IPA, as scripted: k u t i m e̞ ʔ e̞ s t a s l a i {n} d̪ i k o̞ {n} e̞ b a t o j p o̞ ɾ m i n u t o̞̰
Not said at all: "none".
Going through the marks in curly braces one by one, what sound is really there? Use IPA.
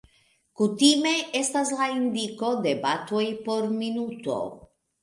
n, d

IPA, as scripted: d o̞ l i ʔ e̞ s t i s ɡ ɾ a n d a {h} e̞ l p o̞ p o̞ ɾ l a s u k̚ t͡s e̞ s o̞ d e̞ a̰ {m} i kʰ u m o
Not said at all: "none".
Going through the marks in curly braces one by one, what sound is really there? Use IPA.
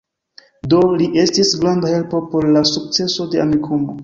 h, m

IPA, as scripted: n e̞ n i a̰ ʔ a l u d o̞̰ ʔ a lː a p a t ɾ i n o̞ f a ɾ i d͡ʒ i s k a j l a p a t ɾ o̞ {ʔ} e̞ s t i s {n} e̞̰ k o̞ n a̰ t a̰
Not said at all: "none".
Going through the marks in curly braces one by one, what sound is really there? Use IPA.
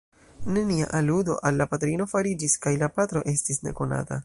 ʔ, n

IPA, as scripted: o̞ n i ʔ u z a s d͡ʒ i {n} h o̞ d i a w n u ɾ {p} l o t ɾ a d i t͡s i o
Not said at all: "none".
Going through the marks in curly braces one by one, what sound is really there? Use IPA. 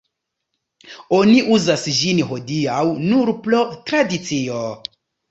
n, p

